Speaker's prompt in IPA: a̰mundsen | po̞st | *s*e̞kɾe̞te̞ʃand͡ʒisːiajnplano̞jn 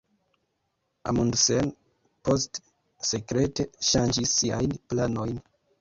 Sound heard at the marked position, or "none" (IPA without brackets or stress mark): s